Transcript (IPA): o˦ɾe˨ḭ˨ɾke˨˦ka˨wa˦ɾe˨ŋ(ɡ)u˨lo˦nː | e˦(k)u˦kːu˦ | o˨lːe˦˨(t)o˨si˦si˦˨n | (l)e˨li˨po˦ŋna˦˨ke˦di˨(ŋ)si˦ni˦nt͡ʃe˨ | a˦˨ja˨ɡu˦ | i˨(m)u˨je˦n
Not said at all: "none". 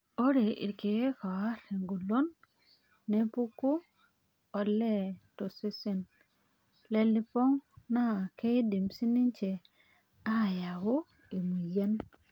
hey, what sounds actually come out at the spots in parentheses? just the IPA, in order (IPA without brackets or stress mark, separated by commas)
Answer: ɡ, p, t, l, m, m